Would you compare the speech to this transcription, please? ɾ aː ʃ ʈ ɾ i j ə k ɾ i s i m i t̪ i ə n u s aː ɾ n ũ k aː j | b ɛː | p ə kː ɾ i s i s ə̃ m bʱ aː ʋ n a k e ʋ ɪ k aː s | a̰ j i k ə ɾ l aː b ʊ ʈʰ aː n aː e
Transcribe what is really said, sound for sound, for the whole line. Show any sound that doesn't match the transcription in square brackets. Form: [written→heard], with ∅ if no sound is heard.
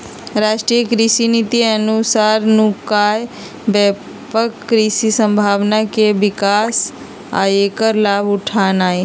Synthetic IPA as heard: ɾ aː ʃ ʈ ɾ i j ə k ɾ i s i [m→n] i t̪ i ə n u s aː ɾ n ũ k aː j | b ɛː | p ə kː ɾ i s i s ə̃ m bʱ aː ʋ n a k e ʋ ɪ k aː s | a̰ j [i→e] k ə ɾ l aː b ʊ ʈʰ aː n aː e

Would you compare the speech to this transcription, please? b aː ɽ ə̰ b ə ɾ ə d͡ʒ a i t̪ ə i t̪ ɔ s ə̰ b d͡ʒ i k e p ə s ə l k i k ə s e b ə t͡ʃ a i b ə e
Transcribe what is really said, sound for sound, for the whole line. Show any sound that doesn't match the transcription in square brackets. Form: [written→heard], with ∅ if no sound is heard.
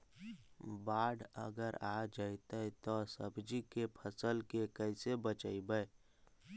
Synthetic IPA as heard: b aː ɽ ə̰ [b→ɡ] ə ɾ [ə→a] d͡ʒ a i t̪ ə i t̪ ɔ s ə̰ b d͡ʒ i k e [p→pʰ] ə s ə l k [i→e] k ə s e b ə t͡ʃ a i b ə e

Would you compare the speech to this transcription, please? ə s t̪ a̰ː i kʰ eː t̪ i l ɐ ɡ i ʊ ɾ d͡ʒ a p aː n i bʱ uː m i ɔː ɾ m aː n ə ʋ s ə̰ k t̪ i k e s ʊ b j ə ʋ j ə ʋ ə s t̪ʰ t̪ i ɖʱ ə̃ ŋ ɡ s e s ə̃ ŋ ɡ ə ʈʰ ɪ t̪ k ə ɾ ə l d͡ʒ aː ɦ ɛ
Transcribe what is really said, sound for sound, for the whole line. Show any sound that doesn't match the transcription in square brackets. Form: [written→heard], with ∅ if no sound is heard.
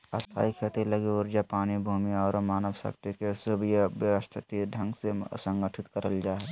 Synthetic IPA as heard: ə s [t̪→t̪ʰ] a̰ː i kʰ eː t̪ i l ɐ ɡ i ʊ ɾ d͡ʒ a p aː n i bʱ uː m i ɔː ɾ m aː n ə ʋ s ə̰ k t̪ i k e s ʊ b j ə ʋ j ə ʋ ə s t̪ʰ t̪ i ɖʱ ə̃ ŋ ɡ s e s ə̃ ŋ ɡ ə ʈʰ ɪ t̪ k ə ɾ ə l d͡ʒ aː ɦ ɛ

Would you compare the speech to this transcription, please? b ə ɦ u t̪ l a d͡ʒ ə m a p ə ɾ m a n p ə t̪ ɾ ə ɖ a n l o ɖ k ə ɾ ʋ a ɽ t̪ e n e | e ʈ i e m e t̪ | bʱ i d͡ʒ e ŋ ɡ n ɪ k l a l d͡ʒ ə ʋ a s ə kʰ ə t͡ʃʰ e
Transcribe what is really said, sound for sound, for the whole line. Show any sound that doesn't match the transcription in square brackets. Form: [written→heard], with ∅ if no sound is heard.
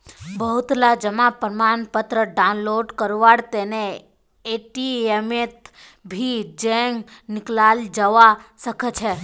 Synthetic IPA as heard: b ə ɦ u t̪ l a d͡ʒ ə m a p ə ɾ m a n p ə t̪ ɾ ə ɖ a n l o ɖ k ə ɾ ʋ a ɽ t̪ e n e | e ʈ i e m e t̪ | bʱ i d͡ʒ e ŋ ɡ n ɪ k l a l d͡ʒ ə ʋ a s ə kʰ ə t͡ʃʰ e

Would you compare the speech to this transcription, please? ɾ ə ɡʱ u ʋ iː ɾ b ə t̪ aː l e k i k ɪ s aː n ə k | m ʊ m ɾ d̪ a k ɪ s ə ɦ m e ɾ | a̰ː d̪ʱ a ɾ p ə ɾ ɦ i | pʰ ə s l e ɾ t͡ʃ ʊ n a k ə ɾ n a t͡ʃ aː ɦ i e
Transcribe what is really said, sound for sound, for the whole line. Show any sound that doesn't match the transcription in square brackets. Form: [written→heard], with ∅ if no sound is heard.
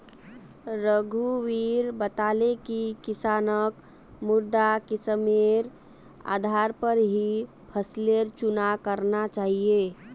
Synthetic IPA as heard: ɾ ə ɡʱ u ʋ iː ɾ b ə t̪ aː l e k i k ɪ s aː n ə k | m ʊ [m→∅] ɾ d̪ a k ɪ s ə [ɦ→∅] m e ɾ | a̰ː d̪ʱ a ɾ p ə ɾ ɦ i | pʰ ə s l e ɾ t͡ʃ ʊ n a k ə ɾ n a t͡ʃ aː ɦ i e

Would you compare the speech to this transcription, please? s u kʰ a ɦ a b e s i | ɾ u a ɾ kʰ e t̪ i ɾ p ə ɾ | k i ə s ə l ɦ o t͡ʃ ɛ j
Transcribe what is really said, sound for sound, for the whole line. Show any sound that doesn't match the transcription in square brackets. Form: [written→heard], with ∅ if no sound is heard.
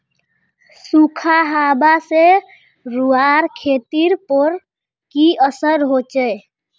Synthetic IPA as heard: s u kʰ a ɦ a b [e→a] s [i→e] | ɾ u a ɾ kʰ e t̪ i ɾ p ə ɾ | k i ə s ə [l→ɾ] ɦ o t͡ʃ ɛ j

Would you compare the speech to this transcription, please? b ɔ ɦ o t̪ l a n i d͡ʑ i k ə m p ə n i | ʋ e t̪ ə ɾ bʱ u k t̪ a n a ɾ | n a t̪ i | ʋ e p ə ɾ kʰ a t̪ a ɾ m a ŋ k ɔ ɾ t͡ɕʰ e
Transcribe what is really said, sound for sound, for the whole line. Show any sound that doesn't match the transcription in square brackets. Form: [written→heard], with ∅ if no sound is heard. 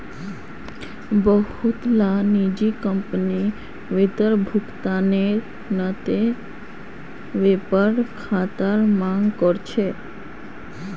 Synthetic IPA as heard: b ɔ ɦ [o→u] t̪ l a n i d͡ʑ i k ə m p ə n i | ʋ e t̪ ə ɾ bʱ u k t̪ a n [a→e] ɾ | n a t̪ [i→e] | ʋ e p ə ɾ kʰ a t̪ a ɾ m a ŋ k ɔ ɾ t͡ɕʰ e

